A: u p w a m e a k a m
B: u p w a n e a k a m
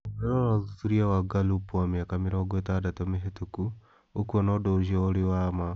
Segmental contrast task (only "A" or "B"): A